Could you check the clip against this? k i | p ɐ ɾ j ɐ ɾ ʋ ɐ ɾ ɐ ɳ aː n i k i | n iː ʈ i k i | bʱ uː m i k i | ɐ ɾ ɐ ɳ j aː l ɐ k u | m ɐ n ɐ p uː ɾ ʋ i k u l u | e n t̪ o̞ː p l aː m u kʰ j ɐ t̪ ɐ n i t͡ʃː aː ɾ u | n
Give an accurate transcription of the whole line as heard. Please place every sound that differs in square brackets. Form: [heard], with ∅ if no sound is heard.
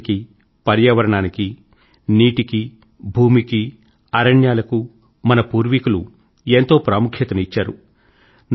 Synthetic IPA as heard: k i | p ɐ ɾ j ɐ [∅] ʋ ɐ ɾ ɐ ɳ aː n i k i | n iː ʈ i k i | bʱ uː m i k i | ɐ ɾ ɐ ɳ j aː l ɐ k u | m ɐ n ɐ p uː ɾ ʋ i k u l u | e n t̪ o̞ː p [ɾ] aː m u kʰ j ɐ t̪ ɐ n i t͡ʃː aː ɾ u | n